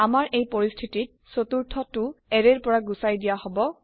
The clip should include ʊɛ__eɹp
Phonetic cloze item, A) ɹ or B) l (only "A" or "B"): A